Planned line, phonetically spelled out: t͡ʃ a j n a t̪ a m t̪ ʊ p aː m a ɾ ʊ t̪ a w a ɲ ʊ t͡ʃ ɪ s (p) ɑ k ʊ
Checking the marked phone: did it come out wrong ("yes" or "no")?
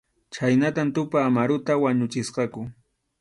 yes